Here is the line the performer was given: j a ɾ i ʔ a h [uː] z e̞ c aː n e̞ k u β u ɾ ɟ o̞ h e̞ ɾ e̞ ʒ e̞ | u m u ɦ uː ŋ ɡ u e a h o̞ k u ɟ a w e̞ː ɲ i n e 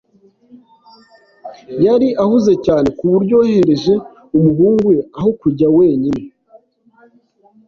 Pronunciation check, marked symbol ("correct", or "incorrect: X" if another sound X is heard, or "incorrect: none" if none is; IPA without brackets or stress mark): incorrect: u